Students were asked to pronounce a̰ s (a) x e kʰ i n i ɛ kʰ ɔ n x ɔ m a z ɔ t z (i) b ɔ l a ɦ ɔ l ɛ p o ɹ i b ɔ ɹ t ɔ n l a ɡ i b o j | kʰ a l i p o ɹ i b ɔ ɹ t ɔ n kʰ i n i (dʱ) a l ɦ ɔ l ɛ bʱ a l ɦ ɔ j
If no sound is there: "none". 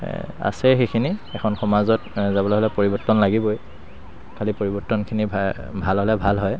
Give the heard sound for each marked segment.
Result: ɛ, a, bʱ

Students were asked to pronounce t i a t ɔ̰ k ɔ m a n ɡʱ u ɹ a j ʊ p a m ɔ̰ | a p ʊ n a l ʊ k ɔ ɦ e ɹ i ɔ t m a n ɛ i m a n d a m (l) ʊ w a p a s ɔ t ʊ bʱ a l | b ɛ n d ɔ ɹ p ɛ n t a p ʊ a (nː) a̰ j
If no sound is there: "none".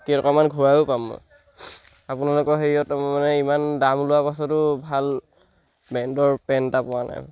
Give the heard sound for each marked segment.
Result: l, n

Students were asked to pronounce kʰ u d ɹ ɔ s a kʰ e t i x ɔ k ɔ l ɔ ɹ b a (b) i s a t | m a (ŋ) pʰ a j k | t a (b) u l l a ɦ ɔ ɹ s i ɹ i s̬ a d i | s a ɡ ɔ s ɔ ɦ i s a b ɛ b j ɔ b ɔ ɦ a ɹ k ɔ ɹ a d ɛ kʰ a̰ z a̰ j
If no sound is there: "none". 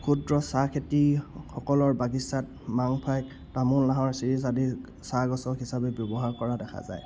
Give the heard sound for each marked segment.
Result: ɡ, ŋ, m

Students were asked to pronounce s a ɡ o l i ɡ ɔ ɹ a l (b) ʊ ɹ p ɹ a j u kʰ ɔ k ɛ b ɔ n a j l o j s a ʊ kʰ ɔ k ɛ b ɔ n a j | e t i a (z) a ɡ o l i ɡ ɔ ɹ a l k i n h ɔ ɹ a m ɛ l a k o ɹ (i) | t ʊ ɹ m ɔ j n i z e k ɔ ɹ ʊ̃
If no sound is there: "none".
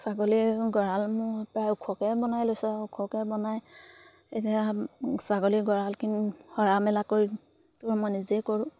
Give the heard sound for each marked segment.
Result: m, s, i

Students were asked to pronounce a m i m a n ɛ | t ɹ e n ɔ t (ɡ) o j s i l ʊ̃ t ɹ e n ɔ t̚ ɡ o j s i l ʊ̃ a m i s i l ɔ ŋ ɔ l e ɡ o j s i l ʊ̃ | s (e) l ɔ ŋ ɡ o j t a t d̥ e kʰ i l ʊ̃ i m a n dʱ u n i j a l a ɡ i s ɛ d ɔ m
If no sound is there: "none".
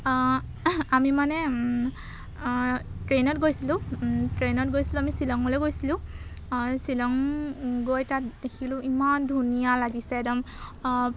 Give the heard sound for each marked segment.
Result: ɡ, i

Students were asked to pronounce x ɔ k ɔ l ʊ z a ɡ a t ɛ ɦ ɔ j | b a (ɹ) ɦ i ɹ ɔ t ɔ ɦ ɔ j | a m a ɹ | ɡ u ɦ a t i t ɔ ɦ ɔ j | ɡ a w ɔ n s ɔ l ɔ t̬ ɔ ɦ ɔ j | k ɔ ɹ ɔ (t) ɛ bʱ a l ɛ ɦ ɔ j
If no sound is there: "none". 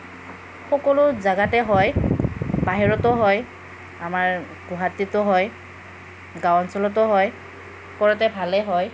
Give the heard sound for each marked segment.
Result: none, t

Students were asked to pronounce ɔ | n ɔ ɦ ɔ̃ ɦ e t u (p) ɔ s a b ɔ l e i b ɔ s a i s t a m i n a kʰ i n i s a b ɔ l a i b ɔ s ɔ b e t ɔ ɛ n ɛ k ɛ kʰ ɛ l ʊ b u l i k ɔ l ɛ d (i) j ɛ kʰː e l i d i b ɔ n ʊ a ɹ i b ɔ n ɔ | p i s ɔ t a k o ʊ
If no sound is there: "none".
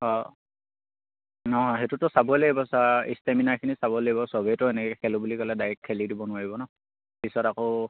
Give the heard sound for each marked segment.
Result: t, a

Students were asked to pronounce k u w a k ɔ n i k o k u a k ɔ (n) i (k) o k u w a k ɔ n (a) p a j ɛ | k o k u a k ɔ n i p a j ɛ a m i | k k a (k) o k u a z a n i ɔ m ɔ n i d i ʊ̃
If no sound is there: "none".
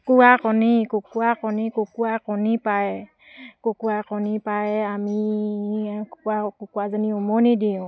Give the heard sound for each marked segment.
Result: n, k, i, k

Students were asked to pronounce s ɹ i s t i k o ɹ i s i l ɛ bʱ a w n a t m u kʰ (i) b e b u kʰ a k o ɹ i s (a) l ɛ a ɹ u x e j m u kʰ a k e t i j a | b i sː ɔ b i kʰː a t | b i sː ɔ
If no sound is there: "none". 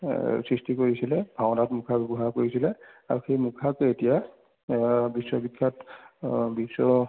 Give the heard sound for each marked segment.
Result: a, i

